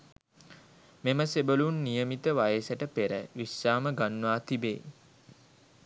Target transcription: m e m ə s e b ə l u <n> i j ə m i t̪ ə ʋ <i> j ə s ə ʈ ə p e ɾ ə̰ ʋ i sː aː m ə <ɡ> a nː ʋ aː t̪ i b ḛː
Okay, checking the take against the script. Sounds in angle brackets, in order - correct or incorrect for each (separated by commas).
incorrect, incorrect, correct